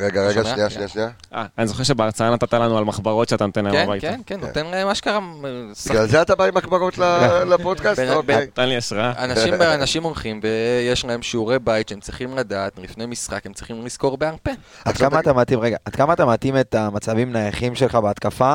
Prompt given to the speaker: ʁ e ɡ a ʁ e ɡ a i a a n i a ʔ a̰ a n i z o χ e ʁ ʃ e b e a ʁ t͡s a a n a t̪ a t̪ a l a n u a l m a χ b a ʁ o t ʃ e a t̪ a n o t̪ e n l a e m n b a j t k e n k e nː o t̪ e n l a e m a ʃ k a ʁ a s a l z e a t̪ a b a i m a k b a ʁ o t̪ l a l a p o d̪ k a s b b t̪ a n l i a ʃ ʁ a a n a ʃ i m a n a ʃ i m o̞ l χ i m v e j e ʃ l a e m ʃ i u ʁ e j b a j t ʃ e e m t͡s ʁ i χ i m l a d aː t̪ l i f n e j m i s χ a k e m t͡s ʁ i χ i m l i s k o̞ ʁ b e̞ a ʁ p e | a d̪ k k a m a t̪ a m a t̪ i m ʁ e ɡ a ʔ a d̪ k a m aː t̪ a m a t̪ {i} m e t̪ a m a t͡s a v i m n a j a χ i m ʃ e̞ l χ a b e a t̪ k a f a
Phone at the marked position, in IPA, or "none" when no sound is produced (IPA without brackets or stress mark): i